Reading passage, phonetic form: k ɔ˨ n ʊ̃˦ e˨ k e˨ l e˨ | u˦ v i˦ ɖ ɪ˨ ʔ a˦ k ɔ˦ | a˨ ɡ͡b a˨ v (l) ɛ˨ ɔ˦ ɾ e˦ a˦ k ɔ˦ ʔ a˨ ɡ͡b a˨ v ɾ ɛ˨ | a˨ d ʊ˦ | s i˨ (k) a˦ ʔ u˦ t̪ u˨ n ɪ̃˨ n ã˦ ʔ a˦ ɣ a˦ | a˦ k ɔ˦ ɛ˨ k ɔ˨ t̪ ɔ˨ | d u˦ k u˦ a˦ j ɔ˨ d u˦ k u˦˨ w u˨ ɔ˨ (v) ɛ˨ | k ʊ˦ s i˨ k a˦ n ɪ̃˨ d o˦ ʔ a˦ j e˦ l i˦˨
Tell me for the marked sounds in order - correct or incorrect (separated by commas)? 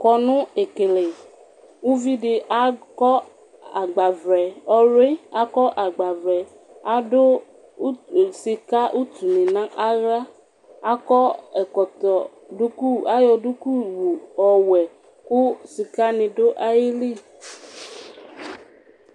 incorrect, correct, incorrect